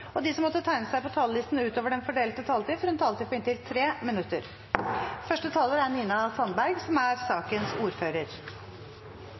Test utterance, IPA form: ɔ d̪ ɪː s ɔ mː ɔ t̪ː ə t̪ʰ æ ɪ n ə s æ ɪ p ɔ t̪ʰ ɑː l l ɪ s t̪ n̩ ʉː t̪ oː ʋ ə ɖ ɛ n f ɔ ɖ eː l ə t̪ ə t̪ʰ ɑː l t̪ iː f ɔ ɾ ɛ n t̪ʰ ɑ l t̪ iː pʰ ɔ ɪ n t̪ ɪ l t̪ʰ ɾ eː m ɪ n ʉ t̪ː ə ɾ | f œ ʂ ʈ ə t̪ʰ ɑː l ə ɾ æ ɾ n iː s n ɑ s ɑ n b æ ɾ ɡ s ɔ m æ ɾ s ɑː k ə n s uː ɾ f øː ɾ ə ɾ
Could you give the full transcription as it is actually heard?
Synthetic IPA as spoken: ɔ d̪ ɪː s ɔ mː ɔ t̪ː ə t̪ʰ æ ɪ n ə s æ ɪ p ɔ t̪ʰ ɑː l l ɪ s t̪ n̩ ʉː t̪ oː ʋ ə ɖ ɛ n f ɔ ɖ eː l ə t̪ ə t̪ʰ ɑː l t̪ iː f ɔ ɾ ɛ n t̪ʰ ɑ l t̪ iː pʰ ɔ ɪ n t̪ ɪ l t̪ʰ ɾ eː m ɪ n ʉ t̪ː ə ɾ | f œ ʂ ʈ ə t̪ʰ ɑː l ə ɾ æ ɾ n iː n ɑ s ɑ n b æ ɾ ɡ s ɔ m æ ɾ s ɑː k ə n s uː ɾ f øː ɾ ə ɾ